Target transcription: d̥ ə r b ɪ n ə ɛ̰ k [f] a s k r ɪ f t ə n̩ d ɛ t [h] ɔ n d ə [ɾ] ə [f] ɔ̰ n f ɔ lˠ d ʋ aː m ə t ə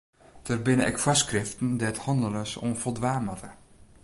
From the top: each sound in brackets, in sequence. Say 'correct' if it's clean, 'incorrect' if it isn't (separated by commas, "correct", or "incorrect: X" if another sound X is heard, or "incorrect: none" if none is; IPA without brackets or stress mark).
correct, correct, incorrect: l, incorrect: s